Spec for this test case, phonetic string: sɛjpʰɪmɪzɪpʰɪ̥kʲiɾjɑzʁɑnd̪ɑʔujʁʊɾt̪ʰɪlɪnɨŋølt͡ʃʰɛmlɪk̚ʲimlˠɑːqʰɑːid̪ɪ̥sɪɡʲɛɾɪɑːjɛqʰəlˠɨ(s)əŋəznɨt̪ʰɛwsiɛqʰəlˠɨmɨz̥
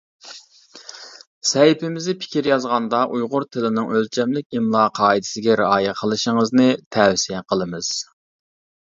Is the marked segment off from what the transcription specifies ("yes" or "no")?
yes